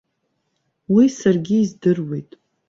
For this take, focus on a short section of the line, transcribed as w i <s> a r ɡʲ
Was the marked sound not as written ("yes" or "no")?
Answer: no